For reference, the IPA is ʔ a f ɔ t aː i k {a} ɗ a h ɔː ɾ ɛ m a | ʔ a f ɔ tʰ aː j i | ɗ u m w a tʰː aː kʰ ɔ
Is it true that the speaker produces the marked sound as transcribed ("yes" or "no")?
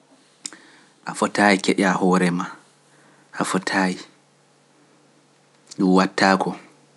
no